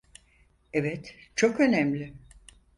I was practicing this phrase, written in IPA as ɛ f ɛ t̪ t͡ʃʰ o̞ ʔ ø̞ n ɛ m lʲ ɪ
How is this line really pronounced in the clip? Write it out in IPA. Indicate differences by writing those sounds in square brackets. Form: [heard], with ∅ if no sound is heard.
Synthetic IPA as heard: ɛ [v] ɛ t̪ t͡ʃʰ o̞ [k] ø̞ n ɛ m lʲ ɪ